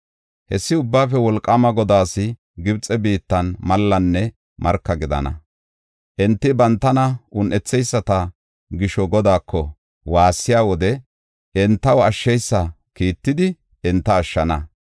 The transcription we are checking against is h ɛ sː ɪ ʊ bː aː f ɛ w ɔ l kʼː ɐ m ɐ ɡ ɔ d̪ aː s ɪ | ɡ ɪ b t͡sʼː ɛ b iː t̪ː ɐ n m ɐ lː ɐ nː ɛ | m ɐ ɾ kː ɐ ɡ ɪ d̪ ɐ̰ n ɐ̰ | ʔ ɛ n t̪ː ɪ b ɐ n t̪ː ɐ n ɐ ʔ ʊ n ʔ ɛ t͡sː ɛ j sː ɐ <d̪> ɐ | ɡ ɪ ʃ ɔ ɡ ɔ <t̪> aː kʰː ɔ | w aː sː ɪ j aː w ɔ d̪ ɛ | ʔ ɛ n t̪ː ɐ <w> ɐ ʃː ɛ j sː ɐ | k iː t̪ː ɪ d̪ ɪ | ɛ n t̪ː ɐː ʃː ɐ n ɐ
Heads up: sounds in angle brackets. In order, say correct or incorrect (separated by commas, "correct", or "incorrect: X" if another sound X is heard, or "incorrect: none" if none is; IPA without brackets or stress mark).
incorrect: t̪, incorrect: d̪, correct